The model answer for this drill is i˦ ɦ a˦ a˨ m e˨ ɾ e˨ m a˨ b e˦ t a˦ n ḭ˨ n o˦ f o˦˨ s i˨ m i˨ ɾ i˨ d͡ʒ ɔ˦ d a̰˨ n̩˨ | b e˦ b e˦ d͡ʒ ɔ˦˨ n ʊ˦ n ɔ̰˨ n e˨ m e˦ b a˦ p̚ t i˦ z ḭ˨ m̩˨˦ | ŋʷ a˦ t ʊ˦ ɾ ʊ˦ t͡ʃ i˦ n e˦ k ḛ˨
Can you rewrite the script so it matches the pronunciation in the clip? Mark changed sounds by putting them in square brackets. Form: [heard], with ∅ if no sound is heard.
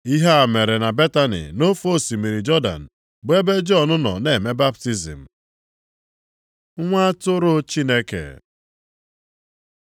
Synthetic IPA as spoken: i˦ ɦ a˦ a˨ m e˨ ɾ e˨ [n] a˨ b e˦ t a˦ n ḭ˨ n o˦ f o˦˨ s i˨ m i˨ ɾ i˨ d͡ʒ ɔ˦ d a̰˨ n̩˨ | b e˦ b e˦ d͡ʒ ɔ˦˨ n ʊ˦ n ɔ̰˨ n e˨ m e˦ b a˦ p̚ t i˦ z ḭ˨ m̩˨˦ | ŋʷ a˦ t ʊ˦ ɾ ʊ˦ t͡ʃ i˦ n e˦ k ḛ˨